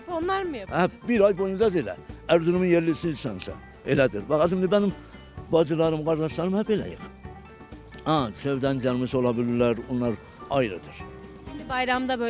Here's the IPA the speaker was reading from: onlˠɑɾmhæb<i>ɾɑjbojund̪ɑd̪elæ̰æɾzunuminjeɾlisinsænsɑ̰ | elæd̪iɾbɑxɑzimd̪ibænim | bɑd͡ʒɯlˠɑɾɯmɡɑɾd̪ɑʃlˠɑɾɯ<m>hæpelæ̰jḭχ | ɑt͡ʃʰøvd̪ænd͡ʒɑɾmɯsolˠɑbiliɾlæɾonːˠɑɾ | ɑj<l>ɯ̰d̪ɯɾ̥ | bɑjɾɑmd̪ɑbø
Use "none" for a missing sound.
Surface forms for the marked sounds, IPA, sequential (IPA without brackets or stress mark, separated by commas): i, m, ɾ